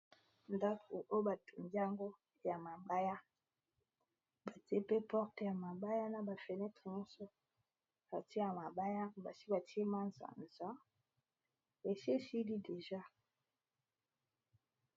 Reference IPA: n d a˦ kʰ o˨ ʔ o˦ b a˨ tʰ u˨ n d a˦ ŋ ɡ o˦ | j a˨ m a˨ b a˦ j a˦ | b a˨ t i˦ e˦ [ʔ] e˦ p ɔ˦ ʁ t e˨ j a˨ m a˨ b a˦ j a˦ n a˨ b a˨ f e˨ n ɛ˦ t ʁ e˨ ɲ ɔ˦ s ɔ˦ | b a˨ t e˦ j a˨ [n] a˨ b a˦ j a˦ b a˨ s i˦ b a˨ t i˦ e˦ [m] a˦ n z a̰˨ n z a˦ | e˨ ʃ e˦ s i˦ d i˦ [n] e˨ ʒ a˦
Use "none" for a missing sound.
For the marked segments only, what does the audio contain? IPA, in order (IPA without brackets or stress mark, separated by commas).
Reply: p, m, m, d